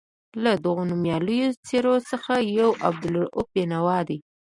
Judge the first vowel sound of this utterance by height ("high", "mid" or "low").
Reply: low